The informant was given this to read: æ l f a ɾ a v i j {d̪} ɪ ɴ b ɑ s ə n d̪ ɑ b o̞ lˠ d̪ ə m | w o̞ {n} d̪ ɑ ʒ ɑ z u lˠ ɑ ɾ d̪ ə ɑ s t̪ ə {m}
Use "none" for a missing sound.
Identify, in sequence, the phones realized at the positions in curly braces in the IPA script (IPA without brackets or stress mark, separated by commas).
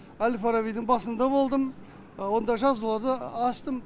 d̪, n, m